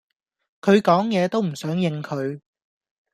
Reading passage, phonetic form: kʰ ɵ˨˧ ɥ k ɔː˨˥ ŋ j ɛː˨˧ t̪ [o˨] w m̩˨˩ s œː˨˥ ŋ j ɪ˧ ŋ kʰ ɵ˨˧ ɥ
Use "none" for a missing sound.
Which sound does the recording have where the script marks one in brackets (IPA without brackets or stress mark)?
o˥